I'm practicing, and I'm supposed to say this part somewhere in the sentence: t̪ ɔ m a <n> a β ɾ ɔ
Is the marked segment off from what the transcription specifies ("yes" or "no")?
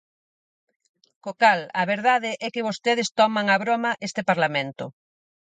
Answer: yes